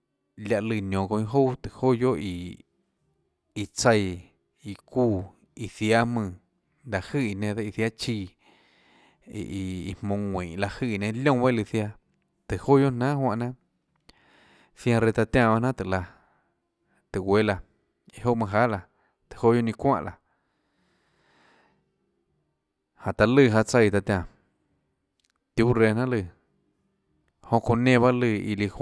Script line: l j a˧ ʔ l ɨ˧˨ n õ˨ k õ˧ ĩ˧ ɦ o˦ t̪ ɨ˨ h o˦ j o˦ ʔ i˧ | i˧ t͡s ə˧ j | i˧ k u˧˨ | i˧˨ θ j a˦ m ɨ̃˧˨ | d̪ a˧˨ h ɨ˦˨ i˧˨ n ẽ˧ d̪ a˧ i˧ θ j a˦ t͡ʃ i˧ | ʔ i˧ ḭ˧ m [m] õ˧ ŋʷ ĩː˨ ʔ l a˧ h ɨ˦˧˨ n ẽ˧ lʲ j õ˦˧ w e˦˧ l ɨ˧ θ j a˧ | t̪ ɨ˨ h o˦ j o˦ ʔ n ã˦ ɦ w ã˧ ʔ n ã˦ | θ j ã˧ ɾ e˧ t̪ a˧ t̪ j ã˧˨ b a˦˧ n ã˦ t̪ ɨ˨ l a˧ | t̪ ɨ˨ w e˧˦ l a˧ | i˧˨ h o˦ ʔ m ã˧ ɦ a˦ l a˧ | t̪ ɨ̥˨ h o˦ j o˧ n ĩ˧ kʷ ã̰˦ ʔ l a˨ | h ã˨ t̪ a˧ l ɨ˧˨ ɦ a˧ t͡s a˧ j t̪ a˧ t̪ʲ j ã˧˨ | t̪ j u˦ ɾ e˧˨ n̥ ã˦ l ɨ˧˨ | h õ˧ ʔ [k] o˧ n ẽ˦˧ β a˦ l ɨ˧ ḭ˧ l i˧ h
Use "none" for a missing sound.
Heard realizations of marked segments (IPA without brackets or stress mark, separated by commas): m, k